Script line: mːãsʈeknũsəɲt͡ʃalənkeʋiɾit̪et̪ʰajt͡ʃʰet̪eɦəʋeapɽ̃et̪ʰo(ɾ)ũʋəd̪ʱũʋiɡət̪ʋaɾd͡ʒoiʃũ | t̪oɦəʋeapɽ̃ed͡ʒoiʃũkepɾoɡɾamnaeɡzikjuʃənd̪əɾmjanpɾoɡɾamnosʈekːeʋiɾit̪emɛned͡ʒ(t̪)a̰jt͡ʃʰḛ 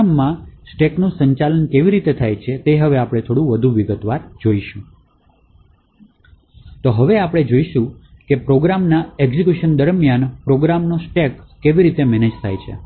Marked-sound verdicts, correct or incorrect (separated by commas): incorrect, incorrect